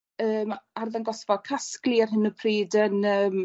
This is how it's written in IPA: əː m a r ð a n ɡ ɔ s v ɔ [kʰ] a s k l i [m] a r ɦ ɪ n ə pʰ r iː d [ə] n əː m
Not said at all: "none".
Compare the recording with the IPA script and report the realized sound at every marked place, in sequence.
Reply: kʰ, none, ə

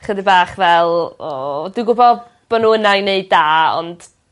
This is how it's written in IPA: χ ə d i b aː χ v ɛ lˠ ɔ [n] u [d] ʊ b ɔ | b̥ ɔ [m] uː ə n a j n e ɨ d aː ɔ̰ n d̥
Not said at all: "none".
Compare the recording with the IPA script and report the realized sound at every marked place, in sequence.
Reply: d, ɡ, n

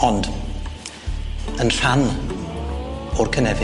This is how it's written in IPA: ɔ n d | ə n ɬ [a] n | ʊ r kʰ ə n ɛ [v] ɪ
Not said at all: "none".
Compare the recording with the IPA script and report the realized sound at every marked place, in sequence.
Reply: a, v

